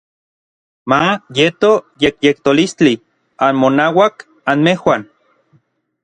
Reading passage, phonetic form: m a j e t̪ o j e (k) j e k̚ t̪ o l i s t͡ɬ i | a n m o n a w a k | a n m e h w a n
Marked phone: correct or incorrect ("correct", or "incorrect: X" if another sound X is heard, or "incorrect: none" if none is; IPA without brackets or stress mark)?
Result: correct